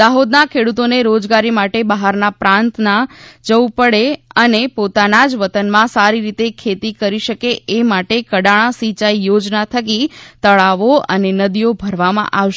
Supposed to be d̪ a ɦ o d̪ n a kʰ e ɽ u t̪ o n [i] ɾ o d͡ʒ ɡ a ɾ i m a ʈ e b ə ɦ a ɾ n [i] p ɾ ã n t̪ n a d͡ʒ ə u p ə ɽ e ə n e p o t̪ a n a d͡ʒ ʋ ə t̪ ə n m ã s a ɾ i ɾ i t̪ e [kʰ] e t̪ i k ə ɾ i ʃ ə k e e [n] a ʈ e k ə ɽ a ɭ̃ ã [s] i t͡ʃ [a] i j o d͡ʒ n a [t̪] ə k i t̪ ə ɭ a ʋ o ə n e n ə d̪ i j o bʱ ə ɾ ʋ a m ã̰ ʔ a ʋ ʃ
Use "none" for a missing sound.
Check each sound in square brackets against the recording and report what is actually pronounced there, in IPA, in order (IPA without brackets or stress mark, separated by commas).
e, a, kʰ, m, s, a, t̪ʰ